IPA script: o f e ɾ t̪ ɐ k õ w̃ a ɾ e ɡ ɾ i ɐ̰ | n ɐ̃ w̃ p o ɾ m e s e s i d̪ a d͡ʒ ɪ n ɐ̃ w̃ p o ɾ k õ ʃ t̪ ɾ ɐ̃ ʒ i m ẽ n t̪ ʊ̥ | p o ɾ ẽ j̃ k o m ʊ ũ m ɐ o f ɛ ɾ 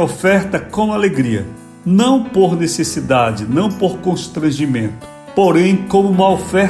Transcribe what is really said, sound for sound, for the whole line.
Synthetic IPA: o f ɛ ɾ t̪ ɐ k õ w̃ a l e ɡ ɾ i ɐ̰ | n ɐ̃ w̃ p o ɾ n e s e s i d̪ a d͡ʒ ɪ n ɐ̃ w̃ p o ɾ k õ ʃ t̪ ɾ ɐ̃ ʒ i m ẽ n t̪ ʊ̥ | p o ɾ ẽ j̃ k õ m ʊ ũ m ɐ o f ɛ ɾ